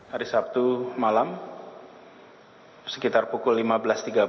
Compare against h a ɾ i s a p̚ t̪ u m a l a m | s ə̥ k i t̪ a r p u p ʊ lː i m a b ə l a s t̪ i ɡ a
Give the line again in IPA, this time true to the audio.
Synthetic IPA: h a ɾ i s a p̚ t̪ u m a l a m | s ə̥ k i t̪ a r p u k ʊ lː i m a b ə l a s t̪ i ɡ a